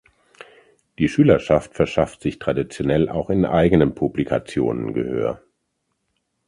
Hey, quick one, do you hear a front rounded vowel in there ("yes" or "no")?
yes